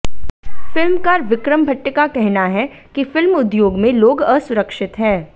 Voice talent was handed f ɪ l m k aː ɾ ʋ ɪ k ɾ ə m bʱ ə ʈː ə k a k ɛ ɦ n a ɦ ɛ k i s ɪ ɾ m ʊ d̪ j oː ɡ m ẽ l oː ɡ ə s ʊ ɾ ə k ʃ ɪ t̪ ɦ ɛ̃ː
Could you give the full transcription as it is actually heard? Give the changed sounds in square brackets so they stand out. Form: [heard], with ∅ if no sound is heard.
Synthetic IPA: f ɪ l m k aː ɾ ʋ ɪ k ɾ ə m bʱ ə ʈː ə k a k ɛ ɦ n a ɦ ɛ k i [f] ɪ [l] m ʊ d̪ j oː ɡ m ẽ l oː ɡ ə s ʊ ɾ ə k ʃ ɪ t̪ ɦ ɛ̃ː